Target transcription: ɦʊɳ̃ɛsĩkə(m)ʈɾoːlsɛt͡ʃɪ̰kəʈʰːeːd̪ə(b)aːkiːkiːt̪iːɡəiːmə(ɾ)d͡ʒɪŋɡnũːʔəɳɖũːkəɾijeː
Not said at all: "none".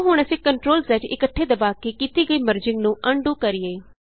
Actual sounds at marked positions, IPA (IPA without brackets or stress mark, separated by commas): ɳ, b, ɾ